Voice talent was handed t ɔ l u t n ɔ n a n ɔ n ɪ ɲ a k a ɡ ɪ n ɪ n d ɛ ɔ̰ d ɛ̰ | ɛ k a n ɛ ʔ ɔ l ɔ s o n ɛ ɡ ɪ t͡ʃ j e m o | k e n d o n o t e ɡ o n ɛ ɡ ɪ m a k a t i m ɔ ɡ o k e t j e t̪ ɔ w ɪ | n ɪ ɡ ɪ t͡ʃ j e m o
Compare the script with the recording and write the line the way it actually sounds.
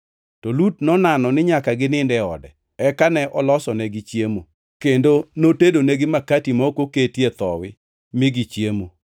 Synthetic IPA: t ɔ l u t n ɔ n a n ɔ n ɪ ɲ a k a ɡ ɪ n ɪ n d ɛ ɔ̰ d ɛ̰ | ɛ k a n ɛ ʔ ɔ l ɔ s ɔ n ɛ ɡ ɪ t͡ʃ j e m o | k e n d o n o t e d o n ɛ ɡ ɪ m a k a t i m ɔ k o k e t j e t̪ ɔ w ɪ | m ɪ ɡ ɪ t͡ʃ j e m o